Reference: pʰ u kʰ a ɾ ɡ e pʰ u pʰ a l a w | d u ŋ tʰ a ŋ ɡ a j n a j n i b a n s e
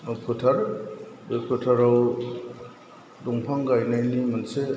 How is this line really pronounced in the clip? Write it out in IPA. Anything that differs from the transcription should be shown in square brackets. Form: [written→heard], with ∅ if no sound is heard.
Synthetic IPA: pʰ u [kʰ→tʰ] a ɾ [ɡ→b] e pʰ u [pʰ→tʰ] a [l→ɾ] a w | d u ŋ [tʰ→pʰ] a ŋ ɡ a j n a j n i [b→m] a n s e